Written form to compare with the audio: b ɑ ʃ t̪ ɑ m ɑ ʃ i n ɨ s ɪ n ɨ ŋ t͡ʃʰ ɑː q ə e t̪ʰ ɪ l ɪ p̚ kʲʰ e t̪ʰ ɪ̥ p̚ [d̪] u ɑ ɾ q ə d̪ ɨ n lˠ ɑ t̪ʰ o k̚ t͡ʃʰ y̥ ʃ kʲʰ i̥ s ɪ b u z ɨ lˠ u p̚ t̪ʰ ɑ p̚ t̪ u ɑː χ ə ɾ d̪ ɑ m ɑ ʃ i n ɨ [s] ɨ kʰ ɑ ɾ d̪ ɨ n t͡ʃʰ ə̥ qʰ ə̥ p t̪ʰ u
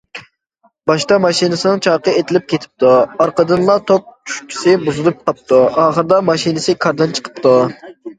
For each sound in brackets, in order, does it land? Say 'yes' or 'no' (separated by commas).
no, yes